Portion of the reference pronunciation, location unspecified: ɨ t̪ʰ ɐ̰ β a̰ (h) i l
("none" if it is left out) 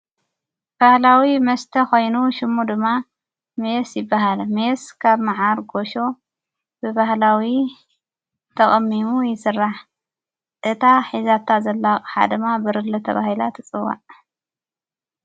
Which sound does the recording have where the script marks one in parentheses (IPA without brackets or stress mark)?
h